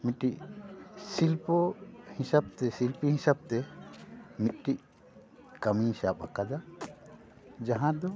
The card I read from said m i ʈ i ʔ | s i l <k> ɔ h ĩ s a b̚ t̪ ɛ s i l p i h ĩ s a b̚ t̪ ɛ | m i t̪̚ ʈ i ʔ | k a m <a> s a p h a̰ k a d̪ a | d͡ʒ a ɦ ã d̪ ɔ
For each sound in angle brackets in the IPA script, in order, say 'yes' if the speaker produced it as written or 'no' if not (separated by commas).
no, no